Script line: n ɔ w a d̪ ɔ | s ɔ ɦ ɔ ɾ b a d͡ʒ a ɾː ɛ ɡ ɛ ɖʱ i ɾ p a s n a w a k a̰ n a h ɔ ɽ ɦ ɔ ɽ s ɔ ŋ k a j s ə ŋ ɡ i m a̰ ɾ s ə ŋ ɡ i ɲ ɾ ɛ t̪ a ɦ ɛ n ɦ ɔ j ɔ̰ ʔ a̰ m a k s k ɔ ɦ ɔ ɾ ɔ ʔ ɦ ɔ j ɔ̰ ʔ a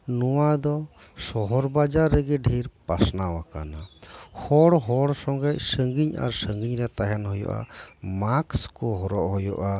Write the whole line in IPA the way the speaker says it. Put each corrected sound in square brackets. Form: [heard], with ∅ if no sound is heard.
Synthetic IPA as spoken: n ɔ w a d̪ ɔ | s ɔ ɦ ɔ ɾ b a d͡ʒ a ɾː ɛ ɡ ɛ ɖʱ i ɾ p a s n a w a k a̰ n a h ɔ ɽ ɦ ɔ ɽ s ɔ ŋ [ɡ] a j s ə ŋ ɡ i [ɲ] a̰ ɾ s ə ŋ ɡ i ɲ ɾ ɛ t̪ a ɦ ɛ n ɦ ɔ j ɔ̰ ʔ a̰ m a k s k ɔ ɦ ɔ ɾ ɔ ʔ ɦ ɔ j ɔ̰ ʔ a